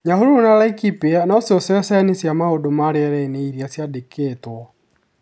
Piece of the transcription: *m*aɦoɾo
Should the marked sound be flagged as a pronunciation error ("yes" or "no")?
yes